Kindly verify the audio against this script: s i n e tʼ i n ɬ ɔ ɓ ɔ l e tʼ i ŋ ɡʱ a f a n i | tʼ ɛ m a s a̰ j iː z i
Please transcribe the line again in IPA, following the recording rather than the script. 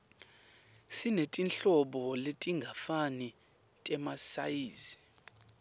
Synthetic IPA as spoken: s i n e tʼ i n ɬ ɔ ɓ ɔ l e tʼ i ŋ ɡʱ a f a n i | tʼ ɛ m a s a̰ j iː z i